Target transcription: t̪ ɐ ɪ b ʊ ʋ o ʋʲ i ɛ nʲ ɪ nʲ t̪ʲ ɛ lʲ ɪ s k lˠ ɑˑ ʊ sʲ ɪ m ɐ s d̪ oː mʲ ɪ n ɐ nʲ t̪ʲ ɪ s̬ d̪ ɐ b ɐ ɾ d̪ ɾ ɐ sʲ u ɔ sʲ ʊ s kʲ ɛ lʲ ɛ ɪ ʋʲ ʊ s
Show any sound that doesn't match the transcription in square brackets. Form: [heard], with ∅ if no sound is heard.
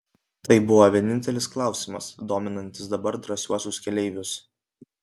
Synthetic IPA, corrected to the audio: t̪ ɐ ɪ b ʊ ʋ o ʋʲ i ɛ nʲ ɪ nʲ t̪ʲ ɛ lʲ ɪ s k lˠ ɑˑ ʊ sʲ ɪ m ɐ s d̪ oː mʲ ɪ n ɐ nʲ t̪ʲ ɪ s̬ d̪ ɐ b ɐ ɾ d̪ ɾ ɐ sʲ u ɔ sʲ ʊ s kʲ ɛ lʲ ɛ ɪ ʋʲ ʊ s